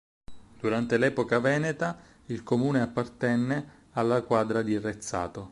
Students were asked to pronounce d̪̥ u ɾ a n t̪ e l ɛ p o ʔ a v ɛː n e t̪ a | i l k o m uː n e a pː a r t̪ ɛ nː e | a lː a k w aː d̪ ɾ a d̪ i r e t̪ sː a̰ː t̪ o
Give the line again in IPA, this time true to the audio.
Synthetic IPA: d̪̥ u ɾ a n t̪ e l ɛ p o k a v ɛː n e t̪ a | i l k o m uː n e a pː a r t̪ ɛ nː e | a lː a k w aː d̪ ɾ a d̪ i r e t̪ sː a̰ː t̪ o